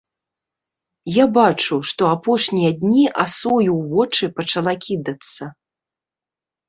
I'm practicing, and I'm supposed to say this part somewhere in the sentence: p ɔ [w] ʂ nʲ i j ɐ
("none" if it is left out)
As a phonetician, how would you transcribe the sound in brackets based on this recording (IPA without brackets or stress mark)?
none